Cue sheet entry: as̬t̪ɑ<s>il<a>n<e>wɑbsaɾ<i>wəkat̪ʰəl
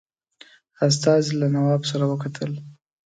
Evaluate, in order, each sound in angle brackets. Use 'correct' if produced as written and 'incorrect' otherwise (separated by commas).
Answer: incorrect, correct, incorrect, incorrect